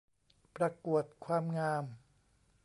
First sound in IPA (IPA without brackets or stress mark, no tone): p